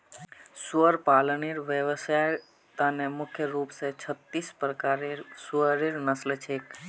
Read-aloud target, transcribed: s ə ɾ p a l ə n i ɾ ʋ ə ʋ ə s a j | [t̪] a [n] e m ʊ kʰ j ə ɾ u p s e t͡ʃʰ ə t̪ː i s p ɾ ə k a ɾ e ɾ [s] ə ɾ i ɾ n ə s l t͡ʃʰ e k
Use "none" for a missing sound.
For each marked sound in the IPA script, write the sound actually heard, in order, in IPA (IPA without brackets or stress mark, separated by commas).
t̪, n, s